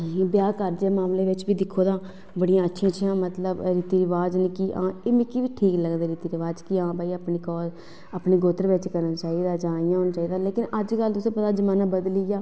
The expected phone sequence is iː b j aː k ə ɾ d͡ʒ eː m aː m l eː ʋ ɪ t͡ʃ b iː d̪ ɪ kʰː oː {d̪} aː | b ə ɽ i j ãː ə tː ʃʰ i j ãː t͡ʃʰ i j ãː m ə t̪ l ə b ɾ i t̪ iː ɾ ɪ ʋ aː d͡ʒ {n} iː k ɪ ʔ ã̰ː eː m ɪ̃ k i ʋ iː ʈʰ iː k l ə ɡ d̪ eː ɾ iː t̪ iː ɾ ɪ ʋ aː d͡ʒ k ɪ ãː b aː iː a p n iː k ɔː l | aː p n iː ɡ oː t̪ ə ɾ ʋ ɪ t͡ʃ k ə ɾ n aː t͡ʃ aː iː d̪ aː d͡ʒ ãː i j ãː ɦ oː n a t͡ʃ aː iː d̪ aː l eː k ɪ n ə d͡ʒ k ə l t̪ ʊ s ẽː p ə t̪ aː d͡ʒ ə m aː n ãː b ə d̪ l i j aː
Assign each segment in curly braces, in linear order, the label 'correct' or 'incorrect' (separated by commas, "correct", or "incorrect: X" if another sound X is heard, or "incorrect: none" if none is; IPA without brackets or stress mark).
correct, correct